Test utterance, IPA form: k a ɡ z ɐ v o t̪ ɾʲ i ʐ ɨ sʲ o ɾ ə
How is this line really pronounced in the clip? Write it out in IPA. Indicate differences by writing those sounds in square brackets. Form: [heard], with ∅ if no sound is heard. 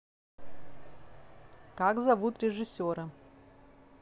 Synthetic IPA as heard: k a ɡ z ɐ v [u] t̪ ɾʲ [ɪ] ʐ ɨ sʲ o ɾ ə